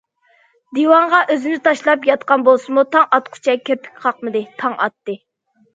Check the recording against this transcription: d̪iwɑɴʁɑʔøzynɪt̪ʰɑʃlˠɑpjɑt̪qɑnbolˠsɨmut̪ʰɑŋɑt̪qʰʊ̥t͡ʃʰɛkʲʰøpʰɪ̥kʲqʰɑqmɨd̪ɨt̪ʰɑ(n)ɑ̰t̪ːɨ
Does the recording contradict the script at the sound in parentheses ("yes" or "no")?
yes